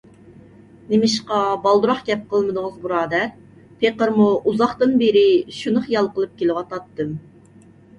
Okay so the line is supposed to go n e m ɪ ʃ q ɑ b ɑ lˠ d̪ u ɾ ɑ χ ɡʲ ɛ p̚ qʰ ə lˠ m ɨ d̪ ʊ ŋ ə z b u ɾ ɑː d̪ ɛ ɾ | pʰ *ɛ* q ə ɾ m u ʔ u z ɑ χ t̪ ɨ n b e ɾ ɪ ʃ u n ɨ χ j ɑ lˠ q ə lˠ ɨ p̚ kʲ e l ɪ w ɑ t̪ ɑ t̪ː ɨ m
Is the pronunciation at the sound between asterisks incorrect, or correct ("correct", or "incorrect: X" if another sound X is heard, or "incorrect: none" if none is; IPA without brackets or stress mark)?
incorrect: e